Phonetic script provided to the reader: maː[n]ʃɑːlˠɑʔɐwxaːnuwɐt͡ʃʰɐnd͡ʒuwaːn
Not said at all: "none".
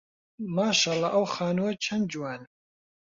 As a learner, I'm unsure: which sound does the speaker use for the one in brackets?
none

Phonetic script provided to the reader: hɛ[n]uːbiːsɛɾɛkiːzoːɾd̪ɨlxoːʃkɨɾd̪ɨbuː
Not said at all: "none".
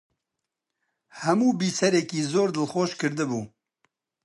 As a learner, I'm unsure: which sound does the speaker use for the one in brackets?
m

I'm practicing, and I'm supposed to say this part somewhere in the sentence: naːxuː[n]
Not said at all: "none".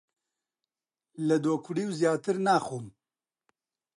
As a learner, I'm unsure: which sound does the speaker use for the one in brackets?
m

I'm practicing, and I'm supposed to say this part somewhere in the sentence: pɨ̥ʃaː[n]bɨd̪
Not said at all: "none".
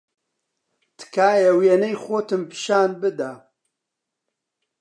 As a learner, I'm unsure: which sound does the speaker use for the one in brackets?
n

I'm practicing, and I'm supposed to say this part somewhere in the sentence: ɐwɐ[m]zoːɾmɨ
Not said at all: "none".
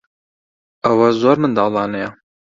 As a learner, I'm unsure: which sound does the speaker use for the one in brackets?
none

